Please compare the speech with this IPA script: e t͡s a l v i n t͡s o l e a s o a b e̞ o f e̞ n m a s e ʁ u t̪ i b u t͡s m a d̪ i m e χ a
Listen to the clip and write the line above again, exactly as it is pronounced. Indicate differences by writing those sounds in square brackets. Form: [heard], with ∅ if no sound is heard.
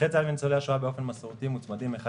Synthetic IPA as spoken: e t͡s a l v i n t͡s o l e a [ʃ] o a b e̞ o f e̞ n m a s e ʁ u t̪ i [m] u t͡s m a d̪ i m e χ a